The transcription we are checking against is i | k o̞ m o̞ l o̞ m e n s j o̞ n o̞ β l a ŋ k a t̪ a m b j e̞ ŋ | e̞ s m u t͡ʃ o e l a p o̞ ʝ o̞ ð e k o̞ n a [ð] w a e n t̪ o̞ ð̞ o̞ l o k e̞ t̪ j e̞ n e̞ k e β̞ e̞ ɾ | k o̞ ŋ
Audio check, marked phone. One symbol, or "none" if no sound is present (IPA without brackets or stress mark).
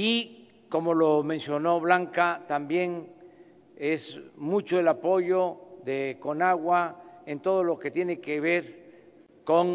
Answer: ɣ